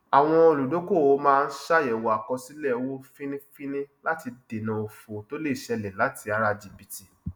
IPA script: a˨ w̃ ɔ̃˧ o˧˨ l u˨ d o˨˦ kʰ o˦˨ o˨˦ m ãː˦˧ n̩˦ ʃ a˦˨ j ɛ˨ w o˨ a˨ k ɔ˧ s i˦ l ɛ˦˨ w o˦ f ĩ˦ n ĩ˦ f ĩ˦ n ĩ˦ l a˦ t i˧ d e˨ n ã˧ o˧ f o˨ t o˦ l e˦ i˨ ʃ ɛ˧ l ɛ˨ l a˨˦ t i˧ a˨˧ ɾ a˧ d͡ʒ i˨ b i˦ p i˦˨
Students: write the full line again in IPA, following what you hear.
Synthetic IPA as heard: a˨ w̃ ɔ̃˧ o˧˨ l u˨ d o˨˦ k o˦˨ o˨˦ m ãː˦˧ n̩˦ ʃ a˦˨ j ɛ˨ w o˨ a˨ k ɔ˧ s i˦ l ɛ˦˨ w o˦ f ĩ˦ n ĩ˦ f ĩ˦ n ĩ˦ l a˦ t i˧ d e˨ n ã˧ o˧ f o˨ t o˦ l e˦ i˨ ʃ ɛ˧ l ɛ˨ l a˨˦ t i˧ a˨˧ ɾ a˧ d͡ʒ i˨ b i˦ t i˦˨